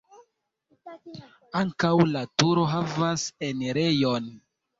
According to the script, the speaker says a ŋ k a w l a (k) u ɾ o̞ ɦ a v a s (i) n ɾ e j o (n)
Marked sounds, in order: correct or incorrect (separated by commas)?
incorrect, incorrect, correct